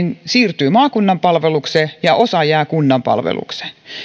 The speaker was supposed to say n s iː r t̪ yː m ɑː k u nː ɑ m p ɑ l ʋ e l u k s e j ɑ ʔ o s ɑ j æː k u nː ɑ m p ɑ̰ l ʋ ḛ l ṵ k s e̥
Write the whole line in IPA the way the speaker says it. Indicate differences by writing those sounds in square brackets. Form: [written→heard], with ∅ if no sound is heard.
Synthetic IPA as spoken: n s iː r t̪ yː m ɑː k u nː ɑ m p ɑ l ʋ e l u k s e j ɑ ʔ o s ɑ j æː k u nː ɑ m p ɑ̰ l ʋ ḛ l ṵ k s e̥